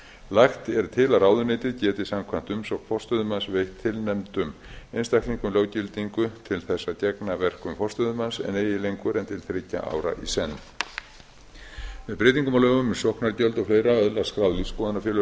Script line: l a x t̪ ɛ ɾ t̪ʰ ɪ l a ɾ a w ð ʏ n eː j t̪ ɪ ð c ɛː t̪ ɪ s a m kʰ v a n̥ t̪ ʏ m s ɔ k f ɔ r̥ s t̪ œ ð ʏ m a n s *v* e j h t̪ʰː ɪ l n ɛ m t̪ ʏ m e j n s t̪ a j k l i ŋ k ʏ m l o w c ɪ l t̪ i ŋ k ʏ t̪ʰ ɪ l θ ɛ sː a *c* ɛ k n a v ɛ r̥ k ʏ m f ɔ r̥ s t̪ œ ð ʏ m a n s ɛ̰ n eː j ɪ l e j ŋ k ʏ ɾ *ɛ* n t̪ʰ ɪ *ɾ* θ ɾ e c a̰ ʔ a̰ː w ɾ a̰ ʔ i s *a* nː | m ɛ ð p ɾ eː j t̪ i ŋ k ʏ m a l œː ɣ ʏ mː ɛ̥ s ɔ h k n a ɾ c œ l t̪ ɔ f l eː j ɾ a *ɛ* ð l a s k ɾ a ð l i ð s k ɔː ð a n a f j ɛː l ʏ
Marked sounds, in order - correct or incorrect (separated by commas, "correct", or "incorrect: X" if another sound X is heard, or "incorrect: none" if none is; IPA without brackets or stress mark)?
correct, correct, correct, incorrect: l, incorrect: ɛ, incorrect: œ